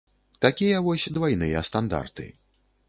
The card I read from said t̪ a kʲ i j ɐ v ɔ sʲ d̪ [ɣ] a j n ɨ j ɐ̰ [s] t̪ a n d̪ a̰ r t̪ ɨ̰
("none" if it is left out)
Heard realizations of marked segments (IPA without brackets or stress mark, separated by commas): v, s